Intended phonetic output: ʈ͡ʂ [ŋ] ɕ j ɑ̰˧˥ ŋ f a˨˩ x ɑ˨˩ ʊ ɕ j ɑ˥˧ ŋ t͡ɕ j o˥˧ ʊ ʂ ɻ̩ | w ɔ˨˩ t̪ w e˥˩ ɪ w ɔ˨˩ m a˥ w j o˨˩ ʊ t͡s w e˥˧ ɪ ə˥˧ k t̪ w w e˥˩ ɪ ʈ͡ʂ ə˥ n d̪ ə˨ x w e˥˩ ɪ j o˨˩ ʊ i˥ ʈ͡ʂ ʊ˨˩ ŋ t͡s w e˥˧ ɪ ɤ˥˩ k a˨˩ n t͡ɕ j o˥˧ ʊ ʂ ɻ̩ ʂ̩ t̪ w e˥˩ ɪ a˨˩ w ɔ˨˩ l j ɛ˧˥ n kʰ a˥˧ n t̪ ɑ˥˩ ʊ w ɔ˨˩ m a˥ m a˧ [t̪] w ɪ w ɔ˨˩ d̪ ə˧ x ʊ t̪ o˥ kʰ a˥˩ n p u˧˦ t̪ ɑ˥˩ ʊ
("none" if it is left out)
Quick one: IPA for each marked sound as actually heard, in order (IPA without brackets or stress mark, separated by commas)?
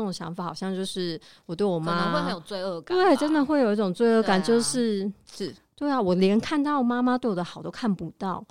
ŋ, t̪